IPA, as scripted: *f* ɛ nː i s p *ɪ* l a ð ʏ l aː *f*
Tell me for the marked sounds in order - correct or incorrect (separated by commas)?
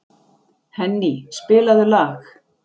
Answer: incorrect, incorrect, incorrect